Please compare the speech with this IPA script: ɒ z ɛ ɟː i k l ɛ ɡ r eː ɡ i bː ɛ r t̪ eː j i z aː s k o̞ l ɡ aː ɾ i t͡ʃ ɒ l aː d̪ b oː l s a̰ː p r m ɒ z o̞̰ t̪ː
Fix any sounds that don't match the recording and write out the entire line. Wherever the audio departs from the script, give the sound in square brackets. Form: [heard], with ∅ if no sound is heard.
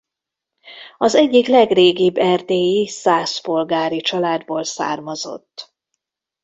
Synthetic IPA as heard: ɒ z ɛ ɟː i k l ɛ ɡ r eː ɡ i bː ɛ r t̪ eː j i [s] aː s [p] o̞ l ɡ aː ɾ i t͡ʃ ɒ l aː d̪ b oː l s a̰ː [∅] r m ɒ z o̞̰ t̪ː